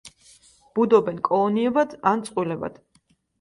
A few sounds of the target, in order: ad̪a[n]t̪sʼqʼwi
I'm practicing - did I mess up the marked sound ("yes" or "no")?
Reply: no